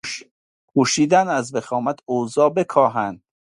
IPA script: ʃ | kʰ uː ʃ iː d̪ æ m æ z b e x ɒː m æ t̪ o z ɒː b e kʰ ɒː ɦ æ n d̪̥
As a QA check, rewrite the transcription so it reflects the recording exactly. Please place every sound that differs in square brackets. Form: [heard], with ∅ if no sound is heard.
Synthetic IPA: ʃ | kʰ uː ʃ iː d̪ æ [n] æ z b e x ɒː m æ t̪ o z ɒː b e kʰ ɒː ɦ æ n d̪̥